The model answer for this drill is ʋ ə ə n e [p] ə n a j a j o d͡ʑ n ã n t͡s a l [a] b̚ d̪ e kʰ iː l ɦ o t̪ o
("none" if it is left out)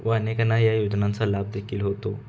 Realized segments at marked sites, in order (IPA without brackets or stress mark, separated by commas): k, a